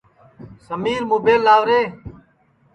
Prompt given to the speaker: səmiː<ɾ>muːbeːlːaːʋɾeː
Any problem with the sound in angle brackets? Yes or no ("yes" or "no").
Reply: no